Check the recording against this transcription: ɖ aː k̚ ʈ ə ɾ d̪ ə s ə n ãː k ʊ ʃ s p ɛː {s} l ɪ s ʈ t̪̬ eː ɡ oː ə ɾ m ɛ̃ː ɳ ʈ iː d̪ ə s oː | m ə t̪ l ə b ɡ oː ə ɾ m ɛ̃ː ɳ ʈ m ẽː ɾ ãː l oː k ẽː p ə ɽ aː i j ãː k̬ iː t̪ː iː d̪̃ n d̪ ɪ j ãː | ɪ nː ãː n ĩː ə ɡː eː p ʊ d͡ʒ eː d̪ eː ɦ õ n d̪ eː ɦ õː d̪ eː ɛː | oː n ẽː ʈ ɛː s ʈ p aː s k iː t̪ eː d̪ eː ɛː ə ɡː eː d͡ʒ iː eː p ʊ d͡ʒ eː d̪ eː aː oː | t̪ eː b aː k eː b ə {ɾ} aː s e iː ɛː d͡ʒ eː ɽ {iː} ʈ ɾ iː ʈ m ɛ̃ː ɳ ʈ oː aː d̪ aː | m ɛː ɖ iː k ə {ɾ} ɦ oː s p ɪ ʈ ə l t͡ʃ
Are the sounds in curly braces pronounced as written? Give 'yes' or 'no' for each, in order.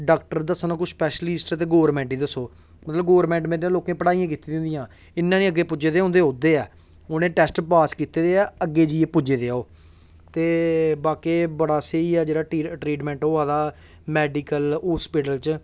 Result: no, no, no, no

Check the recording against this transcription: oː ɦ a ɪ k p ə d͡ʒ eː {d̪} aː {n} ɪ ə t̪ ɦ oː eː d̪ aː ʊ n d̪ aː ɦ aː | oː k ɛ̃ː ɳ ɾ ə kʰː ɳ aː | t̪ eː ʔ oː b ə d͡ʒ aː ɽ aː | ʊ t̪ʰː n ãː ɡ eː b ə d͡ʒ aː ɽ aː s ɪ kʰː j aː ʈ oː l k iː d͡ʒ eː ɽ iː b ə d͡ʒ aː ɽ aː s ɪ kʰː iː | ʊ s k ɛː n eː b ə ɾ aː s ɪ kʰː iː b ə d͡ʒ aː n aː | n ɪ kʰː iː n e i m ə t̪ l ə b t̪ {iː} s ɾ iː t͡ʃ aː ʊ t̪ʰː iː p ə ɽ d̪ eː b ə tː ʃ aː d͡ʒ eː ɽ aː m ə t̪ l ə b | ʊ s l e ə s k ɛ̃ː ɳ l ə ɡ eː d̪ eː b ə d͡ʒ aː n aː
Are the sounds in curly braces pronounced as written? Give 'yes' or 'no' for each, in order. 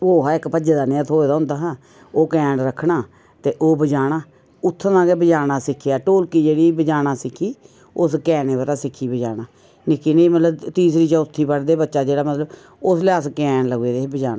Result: yes, yes, yes

